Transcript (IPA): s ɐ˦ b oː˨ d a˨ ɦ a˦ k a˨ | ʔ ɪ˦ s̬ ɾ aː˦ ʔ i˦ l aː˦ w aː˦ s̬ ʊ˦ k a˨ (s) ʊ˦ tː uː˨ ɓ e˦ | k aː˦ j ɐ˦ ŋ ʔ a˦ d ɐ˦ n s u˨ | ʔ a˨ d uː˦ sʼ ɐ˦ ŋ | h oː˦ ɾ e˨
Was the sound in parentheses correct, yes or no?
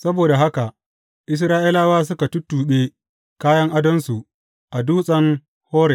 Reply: no